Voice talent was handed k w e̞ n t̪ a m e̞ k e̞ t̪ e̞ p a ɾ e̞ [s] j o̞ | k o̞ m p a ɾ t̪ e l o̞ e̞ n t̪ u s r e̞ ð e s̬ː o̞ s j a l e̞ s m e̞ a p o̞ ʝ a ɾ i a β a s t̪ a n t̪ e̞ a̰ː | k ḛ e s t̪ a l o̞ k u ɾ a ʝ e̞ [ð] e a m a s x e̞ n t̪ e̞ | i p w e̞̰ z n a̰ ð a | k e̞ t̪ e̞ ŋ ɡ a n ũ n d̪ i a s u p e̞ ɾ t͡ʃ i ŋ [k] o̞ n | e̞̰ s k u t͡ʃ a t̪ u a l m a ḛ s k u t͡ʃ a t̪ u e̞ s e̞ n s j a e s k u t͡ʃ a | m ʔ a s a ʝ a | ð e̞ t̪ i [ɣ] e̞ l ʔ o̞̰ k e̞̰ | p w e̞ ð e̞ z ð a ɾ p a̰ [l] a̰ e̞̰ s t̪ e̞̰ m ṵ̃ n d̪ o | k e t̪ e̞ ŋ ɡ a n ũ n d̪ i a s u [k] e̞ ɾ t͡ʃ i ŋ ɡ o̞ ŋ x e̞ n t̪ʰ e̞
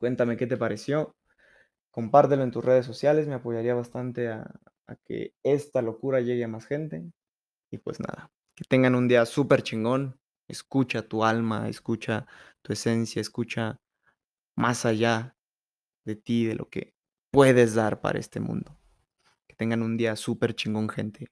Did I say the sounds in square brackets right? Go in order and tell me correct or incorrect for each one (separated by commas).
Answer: correct, incorrect, incorrect, incorrect, incorrect, incorrect